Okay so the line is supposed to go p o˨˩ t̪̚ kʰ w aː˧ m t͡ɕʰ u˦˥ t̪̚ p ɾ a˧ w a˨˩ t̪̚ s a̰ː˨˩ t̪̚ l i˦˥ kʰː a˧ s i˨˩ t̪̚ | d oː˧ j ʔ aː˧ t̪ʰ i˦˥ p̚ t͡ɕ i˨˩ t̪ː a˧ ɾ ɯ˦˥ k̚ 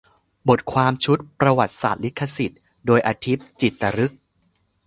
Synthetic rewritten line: b o˨˩ t̪̚ kʰ w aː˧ m t͡ɕʰ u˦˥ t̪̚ p ɾ a˧ w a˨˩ t̪̚ s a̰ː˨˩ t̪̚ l i˦˥ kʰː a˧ s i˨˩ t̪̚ | d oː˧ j ʔ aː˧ t̪ʰ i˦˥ p̚ t͡ɕ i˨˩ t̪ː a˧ ɾ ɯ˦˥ k̚